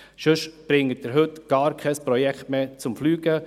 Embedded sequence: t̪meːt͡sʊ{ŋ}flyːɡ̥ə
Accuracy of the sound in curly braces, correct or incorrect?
incorrect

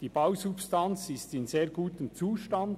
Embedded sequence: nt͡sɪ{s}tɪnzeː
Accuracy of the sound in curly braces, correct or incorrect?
correct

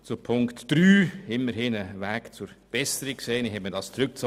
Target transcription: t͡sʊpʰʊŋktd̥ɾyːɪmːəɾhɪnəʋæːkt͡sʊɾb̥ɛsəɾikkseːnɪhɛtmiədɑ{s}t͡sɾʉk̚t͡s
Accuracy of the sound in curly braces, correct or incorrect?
correct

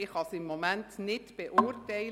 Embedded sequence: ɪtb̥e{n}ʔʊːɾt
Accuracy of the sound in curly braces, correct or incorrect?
incorrect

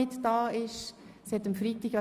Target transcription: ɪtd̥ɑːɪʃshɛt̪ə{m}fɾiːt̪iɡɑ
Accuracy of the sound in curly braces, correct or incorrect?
correct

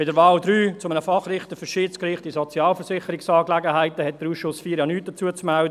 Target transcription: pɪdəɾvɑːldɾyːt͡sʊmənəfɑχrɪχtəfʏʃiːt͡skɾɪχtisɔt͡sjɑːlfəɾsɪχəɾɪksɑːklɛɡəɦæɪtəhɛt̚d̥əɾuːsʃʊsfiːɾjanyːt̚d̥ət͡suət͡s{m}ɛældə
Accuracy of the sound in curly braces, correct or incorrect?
correct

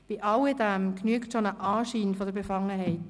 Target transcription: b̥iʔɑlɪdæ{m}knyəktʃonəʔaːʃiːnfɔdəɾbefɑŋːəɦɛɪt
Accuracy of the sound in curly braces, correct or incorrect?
correct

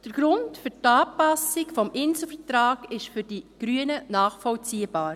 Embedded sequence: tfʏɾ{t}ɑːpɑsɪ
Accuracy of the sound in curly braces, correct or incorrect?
correct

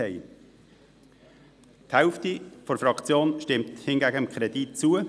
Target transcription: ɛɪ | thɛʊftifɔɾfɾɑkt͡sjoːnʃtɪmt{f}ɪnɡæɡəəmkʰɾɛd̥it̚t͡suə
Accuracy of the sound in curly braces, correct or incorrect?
incorrect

